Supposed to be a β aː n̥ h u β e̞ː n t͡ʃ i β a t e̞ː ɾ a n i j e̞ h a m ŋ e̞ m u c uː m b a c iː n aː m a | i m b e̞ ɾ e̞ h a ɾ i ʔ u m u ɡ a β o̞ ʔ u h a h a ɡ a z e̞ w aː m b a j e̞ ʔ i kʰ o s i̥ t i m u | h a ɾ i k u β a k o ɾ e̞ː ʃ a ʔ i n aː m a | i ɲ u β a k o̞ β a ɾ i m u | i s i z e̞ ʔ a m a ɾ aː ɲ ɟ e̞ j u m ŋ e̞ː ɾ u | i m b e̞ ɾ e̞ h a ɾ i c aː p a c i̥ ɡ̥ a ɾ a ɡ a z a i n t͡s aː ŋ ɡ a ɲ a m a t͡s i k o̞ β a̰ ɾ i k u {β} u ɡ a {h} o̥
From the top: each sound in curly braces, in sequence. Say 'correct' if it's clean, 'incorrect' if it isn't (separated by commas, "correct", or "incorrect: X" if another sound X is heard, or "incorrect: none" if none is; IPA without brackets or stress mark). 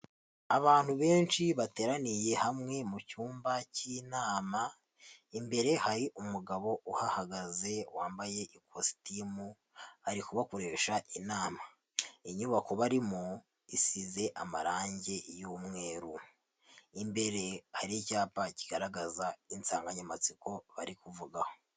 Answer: incorrect: v, correct